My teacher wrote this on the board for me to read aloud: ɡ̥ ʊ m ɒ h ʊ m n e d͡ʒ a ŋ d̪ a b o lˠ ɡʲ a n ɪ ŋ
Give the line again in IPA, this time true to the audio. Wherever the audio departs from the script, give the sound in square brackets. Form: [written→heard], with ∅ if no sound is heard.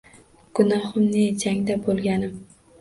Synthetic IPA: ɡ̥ ʊ [m→n] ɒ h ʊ m n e d͡ʒ a ŋ d̪ a b o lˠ ɡʲ a n ɪ [ŋ→m]